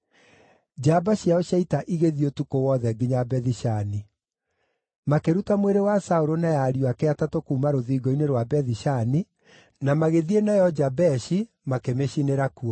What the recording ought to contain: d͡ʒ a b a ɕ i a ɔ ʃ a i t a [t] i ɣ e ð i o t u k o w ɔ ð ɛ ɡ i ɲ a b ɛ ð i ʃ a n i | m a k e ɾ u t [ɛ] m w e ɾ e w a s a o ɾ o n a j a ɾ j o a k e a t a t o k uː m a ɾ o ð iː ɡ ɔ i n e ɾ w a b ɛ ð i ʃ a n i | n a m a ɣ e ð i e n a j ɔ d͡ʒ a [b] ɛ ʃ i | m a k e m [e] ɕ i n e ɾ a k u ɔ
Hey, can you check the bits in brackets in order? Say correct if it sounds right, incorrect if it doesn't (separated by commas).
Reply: incorrect, incorrect, correct, correct